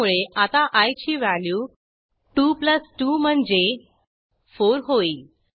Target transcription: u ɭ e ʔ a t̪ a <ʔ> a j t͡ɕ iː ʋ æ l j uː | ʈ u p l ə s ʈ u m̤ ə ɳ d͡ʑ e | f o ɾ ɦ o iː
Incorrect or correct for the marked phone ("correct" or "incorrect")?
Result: correct